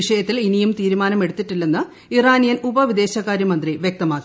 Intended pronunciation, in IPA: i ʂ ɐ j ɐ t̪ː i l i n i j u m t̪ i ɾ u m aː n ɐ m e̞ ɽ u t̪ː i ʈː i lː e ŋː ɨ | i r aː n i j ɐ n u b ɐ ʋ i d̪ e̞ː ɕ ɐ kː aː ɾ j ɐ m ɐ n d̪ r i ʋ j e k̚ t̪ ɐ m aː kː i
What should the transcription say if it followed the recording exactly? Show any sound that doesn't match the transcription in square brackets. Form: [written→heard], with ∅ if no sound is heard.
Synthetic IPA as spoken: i ʂ ɐ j ɐ t̪ː i l i n i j u m t̪ [i→iː] ɾ u m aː n ɐ m e̞ ɽ u t̪ː i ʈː i lː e [ŋː→nː] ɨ | i r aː n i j ɐ n u b ɐ ʋ i d̪ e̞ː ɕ ɐ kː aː ɾ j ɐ m ɐ n d̪ r i ʋ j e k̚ t̪ ɐ m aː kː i